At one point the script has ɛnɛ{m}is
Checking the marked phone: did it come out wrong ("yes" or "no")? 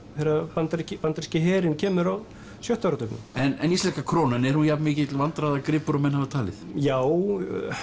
yes